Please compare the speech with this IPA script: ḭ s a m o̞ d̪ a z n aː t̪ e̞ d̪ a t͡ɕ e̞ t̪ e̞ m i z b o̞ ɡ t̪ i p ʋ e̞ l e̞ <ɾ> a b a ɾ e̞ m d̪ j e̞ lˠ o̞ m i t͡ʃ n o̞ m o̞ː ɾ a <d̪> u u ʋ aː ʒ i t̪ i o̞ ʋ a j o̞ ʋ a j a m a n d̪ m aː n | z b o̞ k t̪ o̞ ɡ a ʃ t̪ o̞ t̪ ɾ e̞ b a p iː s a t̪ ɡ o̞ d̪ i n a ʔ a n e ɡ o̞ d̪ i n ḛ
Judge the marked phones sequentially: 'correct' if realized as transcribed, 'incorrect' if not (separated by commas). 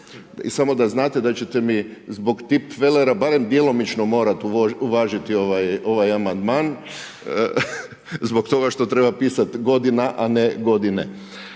correct, incorrect